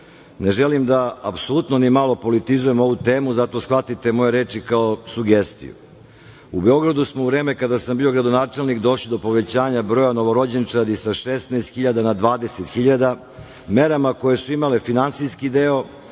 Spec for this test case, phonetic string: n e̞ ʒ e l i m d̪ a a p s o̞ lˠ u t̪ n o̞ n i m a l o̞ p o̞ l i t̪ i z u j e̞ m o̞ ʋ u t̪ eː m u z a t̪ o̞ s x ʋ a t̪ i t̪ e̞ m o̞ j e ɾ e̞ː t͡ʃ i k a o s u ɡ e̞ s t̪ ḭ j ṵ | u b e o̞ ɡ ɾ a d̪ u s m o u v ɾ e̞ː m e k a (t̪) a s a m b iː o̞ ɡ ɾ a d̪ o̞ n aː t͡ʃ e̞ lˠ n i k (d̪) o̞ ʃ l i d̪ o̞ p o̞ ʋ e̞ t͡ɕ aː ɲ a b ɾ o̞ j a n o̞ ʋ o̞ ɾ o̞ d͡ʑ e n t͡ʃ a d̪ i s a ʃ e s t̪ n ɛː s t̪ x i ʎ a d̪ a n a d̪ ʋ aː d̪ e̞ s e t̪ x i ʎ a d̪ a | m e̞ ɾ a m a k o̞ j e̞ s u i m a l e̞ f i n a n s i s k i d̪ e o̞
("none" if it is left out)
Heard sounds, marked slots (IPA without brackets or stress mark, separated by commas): d̪, d̪